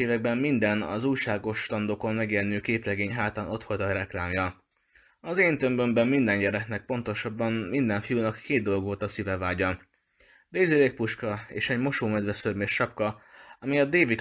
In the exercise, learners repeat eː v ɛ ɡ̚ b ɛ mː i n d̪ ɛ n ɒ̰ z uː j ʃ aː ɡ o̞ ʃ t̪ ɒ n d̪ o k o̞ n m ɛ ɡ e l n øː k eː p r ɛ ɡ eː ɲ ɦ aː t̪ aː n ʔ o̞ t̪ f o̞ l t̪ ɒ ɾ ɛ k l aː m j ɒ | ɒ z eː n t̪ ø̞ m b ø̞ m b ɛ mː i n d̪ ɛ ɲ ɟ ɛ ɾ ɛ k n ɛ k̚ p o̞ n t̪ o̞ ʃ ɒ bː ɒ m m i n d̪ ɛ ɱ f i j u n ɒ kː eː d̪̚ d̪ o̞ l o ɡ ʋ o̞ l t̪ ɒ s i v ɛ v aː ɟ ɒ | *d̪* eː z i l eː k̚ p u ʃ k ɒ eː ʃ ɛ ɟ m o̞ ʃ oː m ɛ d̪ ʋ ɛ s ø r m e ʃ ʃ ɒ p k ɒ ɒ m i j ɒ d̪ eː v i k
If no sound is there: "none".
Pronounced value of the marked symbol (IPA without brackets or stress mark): d̪